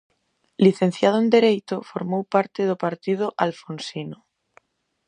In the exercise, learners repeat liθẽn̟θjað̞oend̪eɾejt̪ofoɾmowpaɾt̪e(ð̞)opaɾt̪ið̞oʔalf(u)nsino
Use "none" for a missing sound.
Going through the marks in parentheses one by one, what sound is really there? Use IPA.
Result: ð̞, o

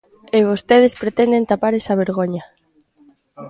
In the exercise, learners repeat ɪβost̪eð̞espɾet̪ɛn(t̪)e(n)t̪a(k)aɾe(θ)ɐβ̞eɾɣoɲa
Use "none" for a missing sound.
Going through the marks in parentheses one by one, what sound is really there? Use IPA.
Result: d̪, n, p, s

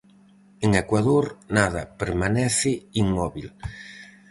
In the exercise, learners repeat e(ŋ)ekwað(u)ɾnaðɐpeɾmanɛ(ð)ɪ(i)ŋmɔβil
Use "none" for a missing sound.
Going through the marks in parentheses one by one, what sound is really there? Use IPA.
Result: ŋ, o, θ, i

